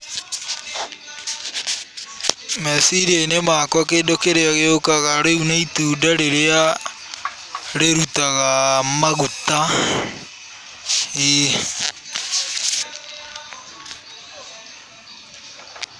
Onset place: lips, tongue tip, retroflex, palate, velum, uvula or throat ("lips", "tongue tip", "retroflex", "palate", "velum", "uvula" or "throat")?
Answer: lips